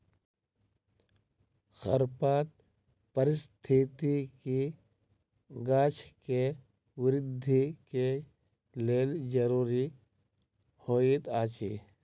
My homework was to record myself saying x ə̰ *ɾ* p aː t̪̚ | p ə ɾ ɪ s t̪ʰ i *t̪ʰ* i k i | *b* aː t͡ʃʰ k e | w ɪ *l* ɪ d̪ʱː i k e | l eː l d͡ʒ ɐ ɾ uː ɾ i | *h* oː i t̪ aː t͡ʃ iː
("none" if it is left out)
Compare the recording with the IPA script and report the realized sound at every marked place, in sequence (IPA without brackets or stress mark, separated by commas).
ɾ, t̪, ɡ, ɾ, h